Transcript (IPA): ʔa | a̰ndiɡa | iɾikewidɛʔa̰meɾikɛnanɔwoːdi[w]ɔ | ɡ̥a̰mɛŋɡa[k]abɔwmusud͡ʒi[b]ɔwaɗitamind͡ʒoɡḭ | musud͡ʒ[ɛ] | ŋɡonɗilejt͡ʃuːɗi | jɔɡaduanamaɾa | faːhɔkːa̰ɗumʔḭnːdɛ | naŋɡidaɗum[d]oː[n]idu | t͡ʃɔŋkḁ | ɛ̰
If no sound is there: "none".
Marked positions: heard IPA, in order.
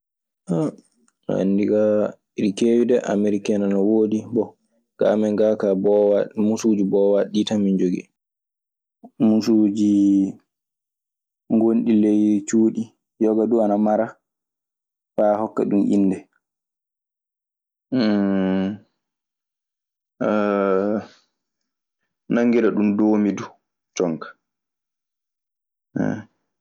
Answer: b, k, b, i, d, m

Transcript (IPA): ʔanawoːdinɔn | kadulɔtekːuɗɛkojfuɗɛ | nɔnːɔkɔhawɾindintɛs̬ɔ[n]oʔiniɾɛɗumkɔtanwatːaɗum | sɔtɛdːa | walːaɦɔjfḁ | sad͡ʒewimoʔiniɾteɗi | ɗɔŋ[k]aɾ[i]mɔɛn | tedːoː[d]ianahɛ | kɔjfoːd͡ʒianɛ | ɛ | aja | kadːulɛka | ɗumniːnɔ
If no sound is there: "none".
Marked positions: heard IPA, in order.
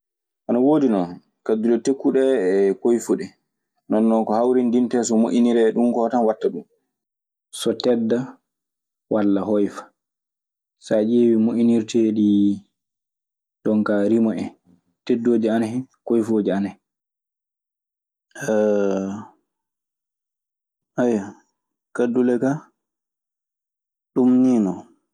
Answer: m, k, i, d͡ʒ

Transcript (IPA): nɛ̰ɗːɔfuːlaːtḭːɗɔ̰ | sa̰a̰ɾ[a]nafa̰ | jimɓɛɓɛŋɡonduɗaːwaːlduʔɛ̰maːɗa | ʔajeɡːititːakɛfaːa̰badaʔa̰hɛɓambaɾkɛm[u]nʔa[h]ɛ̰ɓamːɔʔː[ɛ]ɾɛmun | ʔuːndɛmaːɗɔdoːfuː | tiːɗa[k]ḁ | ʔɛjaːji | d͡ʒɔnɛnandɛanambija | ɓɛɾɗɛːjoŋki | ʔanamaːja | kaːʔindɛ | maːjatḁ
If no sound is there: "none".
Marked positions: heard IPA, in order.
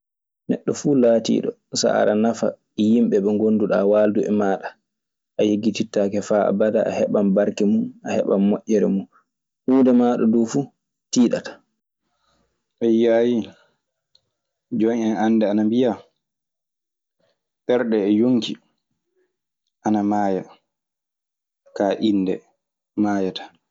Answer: a, u, h, ɛ, t

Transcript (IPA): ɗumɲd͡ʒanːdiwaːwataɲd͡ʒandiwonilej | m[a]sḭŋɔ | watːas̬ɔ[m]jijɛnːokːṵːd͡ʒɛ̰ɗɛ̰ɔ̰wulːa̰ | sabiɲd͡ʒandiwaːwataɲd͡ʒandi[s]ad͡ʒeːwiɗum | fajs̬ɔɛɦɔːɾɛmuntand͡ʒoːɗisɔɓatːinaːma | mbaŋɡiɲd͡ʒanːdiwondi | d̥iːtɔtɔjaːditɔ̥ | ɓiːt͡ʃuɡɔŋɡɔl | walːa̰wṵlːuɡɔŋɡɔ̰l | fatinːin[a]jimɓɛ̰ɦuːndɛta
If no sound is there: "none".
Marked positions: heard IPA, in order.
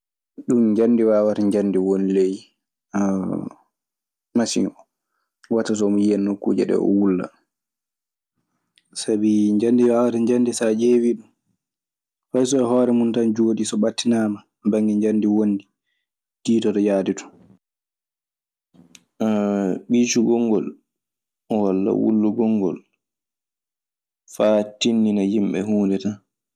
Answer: a, m, s, a

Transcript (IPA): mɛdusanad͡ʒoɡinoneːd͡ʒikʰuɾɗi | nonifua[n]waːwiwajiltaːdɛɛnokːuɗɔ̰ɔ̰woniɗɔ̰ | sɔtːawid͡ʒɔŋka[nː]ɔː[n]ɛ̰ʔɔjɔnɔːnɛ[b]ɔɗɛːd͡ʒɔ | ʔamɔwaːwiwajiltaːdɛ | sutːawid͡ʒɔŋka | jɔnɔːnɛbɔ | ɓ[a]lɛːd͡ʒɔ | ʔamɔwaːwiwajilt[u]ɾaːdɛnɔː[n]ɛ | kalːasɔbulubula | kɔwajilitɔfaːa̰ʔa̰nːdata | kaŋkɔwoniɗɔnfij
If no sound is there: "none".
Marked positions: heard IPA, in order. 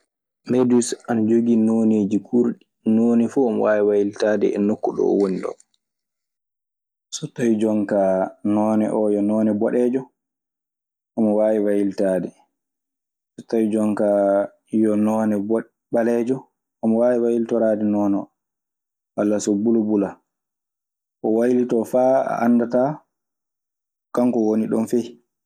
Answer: m, n, n, b, a, ɔ, n

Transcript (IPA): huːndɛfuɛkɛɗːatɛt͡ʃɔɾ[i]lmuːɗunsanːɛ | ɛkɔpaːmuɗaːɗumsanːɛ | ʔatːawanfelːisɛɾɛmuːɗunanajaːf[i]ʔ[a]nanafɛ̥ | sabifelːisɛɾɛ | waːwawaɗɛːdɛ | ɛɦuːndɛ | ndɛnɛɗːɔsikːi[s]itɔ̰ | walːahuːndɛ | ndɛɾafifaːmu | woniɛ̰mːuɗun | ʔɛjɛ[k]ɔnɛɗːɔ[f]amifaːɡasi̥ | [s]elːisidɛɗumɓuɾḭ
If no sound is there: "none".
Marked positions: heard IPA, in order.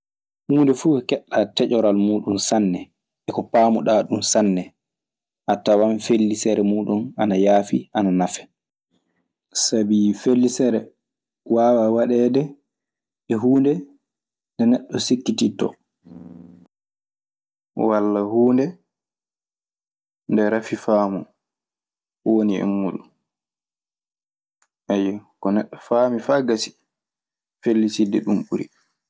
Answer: a, i, a, t, k, f, f

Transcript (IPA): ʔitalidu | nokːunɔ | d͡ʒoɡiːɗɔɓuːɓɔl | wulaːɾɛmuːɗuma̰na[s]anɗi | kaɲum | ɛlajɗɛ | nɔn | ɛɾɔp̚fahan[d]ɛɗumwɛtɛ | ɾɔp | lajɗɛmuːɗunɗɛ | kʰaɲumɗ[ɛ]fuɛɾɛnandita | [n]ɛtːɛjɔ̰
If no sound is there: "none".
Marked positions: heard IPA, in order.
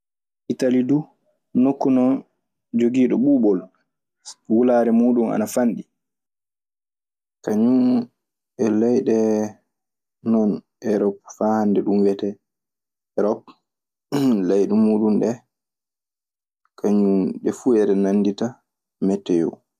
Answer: f, d, ɛ, m

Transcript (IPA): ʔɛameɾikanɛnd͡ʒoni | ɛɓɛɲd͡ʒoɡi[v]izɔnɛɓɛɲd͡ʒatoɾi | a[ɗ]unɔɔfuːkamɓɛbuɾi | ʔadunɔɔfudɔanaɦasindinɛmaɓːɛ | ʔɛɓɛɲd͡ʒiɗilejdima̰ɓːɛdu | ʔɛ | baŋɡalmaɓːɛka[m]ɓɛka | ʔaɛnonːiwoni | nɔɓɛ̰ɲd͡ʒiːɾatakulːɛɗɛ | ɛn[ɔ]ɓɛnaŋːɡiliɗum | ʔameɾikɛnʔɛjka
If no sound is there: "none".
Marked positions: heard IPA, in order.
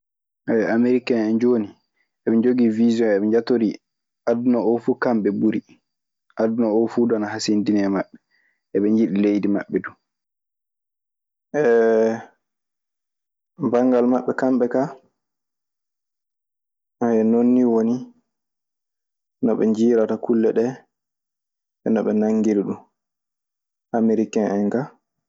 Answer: v, d, m, ɔ

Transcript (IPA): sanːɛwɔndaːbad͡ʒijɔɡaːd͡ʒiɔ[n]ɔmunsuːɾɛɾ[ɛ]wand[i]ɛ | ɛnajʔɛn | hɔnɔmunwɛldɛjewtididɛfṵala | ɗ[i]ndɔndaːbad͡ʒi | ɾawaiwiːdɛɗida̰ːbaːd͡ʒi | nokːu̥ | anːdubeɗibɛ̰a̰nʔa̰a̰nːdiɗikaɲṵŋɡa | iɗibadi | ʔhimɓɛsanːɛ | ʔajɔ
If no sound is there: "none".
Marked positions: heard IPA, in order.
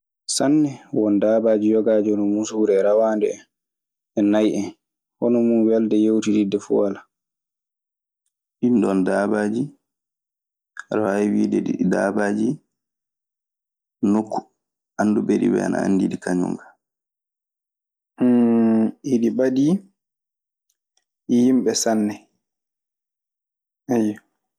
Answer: n, a, ɛ, i

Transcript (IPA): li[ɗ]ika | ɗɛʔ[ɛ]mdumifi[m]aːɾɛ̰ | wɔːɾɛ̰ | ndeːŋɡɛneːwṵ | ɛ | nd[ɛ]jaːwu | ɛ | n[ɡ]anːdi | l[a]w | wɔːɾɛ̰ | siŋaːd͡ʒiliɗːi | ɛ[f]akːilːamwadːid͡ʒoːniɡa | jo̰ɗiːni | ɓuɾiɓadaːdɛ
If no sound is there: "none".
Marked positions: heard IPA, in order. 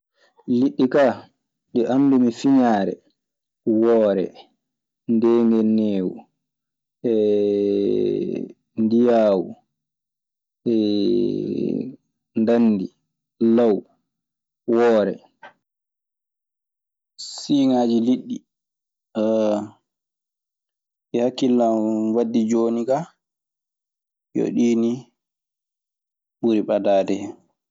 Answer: ɗː, a, ɲ, i, d, a, h

